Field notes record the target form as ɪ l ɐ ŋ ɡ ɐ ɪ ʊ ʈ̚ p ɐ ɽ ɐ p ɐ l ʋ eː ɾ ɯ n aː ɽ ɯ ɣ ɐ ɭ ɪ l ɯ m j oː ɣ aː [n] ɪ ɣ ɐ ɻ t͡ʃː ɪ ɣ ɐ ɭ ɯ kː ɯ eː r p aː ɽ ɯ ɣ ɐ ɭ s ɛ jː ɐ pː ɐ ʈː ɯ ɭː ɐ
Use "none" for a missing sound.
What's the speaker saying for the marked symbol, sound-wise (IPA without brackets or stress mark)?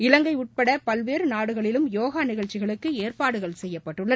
n